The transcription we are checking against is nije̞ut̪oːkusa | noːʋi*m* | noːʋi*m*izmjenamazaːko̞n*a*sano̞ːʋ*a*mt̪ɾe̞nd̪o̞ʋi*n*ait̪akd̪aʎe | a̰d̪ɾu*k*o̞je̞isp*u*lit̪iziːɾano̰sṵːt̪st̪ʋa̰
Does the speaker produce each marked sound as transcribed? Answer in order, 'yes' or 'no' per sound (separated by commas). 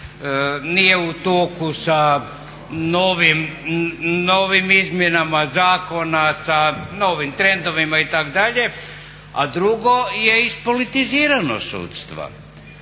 yes, yes, yes, no, no, no, no